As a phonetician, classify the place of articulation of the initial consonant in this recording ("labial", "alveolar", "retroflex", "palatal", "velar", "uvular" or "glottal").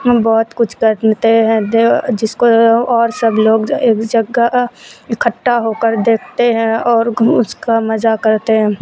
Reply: labial